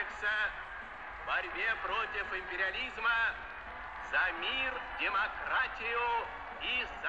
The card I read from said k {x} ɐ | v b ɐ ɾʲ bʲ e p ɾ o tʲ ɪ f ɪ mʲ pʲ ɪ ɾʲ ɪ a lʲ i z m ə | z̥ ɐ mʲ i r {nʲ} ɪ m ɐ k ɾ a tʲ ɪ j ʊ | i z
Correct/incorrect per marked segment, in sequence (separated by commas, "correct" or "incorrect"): incorrect, incorrect